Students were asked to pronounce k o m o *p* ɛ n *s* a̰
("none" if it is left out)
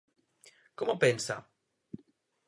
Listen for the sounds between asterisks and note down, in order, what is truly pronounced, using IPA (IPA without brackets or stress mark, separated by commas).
p, s